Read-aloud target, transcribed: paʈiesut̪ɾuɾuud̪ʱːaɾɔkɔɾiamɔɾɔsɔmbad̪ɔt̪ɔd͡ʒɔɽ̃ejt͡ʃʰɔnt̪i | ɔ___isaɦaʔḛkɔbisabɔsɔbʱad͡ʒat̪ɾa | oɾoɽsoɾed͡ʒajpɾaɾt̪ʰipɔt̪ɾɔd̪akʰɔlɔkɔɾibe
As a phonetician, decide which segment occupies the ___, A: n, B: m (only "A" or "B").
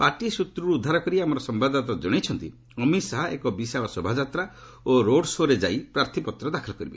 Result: B